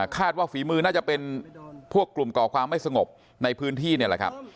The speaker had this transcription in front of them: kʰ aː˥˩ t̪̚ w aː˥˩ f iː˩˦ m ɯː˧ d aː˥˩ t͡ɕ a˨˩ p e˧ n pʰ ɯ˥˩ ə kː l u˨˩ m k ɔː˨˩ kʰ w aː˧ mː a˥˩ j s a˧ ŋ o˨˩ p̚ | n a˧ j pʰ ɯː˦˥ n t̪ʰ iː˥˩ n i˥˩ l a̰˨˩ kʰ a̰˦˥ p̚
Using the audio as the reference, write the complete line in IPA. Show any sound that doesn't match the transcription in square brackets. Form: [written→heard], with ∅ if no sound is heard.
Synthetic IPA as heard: kʰ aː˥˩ t̪̚ w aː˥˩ f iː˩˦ m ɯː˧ [d→n] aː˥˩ t͡ɕ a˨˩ p e˧ n pʰ [ɯ˥˩→u˥˩] ə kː l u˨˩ m k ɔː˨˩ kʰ w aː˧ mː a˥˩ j s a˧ ŋ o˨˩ p̚ | n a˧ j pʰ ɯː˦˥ n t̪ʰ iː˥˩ n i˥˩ l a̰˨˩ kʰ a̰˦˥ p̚